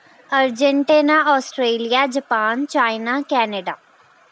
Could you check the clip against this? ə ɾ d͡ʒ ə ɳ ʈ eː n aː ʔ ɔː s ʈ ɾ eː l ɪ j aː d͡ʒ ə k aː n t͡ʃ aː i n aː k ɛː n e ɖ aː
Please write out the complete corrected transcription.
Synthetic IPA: ə ɾ d͡ʒ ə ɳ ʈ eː n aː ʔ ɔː s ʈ ɾ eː l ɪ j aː d͡ʒ ə p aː n t͡ʃ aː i n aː k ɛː n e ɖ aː